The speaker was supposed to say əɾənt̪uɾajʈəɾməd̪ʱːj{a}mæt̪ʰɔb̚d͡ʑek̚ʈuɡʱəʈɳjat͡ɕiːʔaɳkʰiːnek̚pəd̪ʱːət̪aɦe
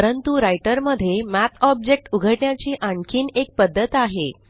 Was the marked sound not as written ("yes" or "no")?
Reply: yes